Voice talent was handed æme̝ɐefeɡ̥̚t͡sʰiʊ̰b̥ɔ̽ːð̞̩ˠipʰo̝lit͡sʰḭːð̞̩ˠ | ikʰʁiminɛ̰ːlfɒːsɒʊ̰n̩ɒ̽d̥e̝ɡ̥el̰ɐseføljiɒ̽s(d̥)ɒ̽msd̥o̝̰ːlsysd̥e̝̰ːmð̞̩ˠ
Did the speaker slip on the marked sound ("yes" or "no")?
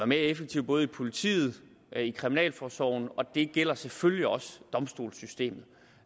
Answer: no